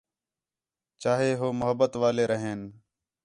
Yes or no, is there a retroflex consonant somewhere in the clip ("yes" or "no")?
no